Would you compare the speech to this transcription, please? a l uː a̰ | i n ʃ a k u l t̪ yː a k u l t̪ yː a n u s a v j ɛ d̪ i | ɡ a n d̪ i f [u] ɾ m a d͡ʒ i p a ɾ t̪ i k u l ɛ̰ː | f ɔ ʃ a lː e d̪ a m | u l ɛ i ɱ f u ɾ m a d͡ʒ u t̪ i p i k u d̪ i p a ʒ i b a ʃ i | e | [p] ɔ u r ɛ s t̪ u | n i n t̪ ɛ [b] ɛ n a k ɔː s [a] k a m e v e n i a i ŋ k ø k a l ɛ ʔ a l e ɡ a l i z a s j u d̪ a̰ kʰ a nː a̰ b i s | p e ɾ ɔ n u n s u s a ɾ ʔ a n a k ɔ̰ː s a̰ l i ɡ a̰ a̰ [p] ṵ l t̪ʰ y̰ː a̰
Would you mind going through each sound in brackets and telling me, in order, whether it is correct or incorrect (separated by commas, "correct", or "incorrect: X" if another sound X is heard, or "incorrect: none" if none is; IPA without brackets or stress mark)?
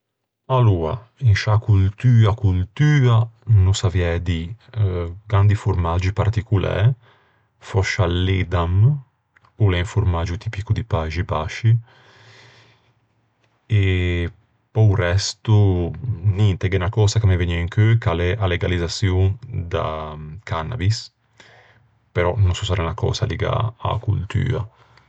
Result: correct, correct, incorrect: ɡ, correct, incorrect: k